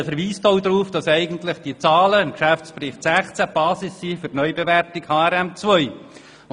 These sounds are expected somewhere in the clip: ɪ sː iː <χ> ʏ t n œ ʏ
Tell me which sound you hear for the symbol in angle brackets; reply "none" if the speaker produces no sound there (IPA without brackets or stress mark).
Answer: f